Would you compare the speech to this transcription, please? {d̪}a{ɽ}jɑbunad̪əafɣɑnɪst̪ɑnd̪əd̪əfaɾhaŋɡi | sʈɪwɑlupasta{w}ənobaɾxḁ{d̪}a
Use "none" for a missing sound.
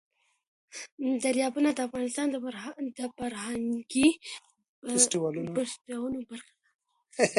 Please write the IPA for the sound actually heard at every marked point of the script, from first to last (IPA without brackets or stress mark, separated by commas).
d̪, ɾ, w, d̪